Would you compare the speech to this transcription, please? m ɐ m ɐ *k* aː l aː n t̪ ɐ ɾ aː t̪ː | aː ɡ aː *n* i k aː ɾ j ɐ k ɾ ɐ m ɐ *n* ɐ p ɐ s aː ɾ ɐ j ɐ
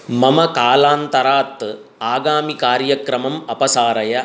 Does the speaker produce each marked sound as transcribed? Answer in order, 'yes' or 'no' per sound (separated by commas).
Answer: yes, no, no